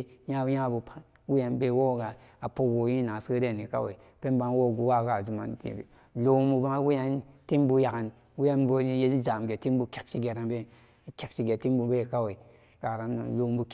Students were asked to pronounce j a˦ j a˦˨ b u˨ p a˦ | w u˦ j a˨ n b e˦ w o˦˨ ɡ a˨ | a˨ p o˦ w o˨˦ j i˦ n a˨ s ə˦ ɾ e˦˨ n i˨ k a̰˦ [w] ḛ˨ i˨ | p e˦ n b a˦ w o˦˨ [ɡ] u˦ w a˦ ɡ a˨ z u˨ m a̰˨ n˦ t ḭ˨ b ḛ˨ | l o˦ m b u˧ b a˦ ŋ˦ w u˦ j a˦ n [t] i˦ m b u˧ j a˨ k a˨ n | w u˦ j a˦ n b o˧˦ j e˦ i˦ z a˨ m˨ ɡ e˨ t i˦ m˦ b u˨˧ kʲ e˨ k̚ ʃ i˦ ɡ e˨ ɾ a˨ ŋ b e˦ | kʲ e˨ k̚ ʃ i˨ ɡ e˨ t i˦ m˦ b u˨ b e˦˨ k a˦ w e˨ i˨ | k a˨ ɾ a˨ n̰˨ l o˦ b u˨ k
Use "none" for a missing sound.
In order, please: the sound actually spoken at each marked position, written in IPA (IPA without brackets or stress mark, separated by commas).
w, ɡ, t